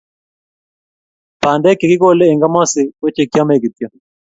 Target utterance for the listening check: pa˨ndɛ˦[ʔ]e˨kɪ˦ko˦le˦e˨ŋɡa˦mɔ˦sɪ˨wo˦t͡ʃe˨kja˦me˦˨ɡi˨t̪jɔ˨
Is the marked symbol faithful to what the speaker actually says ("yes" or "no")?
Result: no